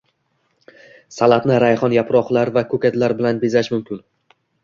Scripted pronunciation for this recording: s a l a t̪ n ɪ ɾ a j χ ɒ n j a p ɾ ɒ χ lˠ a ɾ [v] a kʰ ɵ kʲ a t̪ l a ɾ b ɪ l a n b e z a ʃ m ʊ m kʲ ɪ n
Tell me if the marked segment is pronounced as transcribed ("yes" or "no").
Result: yes